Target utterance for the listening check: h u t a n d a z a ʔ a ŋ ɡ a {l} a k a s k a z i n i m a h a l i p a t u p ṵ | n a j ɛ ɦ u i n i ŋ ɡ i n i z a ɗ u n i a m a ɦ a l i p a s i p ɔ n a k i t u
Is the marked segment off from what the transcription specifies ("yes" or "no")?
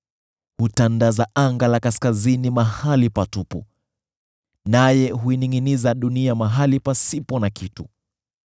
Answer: no